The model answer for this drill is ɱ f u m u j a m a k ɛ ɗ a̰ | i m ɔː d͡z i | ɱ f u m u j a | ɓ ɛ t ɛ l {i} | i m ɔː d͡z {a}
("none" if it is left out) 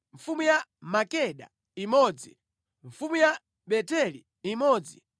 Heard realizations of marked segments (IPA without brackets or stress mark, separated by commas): i, i